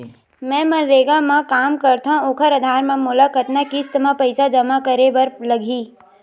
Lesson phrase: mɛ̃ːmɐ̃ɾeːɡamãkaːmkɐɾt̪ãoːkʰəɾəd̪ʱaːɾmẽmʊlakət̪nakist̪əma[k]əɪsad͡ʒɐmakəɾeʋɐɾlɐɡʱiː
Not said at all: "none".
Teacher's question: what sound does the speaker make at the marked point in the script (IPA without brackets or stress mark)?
p